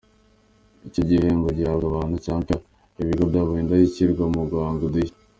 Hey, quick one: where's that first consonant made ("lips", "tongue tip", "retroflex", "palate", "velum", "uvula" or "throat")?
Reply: palate